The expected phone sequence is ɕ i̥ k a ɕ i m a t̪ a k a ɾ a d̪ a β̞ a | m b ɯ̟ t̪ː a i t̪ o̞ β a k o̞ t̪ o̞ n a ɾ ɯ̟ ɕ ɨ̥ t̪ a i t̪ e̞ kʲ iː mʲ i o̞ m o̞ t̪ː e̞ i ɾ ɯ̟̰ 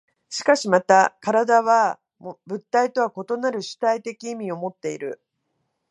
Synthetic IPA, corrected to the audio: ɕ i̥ k a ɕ i m a t̪ a k a ɾ a d̪ a β̞ a | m b ɯ̟ t̪ː a i t̪ o̞ β a k o̞ t̪ o̞ n a ɾ ɯ̟ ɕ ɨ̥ t̪ a i t̪ e̞ kʲ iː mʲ i o̞ m o̞ t̪ː e̞ i ɾ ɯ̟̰